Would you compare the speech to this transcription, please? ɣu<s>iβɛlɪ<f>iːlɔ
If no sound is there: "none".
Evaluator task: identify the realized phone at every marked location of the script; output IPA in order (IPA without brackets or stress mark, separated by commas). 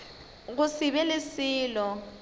s, s